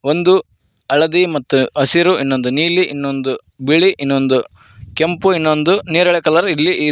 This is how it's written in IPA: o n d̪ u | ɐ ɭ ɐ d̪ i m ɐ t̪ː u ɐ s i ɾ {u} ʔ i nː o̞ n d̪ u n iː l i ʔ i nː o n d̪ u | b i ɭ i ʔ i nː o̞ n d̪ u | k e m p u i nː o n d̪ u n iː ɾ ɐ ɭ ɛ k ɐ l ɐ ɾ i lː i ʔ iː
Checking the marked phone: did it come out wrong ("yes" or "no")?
no